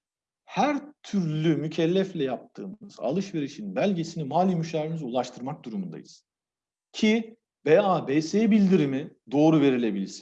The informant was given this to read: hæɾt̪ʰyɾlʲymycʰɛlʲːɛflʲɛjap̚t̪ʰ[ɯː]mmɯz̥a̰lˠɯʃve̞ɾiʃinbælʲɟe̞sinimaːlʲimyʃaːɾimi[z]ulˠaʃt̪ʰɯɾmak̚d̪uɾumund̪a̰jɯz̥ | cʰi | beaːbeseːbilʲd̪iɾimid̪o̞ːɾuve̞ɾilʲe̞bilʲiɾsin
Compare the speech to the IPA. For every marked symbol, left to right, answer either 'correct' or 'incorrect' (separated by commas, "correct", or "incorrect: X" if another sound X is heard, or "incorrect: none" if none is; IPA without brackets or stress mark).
correct, correct